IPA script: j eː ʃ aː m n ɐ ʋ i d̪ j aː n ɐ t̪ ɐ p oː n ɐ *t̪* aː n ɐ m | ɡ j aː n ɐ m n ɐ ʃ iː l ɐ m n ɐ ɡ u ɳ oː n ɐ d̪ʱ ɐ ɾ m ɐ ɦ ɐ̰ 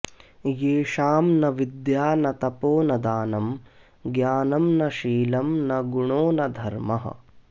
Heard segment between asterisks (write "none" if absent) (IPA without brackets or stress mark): d̪